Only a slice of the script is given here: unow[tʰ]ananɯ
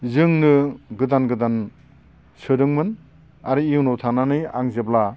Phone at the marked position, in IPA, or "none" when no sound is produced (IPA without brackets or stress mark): tʰ